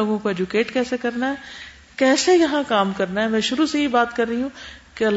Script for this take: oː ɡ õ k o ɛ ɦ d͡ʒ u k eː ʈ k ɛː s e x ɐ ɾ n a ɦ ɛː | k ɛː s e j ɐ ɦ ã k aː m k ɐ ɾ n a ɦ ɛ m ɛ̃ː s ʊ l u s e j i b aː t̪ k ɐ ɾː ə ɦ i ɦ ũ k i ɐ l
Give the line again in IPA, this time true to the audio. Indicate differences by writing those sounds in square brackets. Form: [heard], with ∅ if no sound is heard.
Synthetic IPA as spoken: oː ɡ õ k o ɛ [∅] d͡ʒ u k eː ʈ k ɛː s e [k] ɐ ɾ n a ɦ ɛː | k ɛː s e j ɐ ɦ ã k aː m k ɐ ɾ n a ɦ ɛ m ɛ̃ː [ʃ] ʊ [ɾ] u s e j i b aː t̪ k ɐ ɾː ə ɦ i ɦ ũ k [e] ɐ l